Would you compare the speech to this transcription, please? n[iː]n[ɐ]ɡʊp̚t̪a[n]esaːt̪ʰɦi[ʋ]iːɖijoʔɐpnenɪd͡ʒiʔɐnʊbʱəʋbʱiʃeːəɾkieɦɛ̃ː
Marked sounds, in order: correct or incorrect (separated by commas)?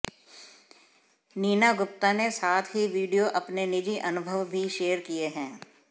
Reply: correct, incorrect, correct, correct